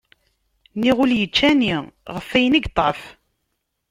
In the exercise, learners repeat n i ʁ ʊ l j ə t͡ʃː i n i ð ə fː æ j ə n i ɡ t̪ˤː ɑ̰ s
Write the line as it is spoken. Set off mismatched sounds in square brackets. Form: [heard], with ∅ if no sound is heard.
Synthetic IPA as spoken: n i ʁ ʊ l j ə t͡ʃː [æ] n i [ʁ] ə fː æ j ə n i ɡ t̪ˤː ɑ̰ [f]